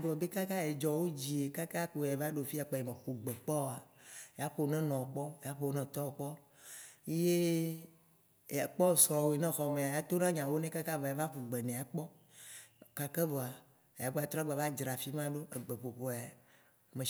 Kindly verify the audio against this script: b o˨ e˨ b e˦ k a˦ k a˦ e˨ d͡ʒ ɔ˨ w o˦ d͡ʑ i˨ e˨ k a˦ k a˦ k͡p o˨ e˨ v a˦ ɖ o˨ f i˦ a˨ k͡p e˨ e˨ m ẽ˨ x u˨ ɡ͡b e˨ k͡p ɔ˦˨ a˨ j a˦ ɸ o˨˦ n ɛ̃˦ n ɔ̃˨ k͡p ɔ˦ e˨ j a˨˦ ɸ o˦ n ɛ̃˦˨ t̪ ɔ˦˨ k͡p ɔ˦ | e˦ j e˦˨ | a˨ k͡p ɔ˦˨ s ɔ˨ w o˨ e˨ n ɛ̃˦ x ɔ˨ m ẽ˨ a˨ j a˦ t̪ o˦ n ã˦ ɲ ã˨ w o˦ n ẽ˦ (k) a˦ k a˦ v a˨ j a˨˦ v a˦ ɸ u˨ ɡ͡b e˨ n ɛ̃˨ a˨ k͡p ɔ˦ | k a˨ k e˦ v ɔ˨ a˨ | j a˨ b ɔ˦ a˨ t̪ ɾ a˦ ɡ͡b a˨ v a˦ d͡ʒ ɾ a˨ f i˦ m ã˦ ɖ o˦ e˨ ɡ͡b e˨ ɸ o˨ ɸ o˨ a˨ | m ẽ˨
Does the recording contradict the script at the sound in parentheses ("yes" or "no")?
no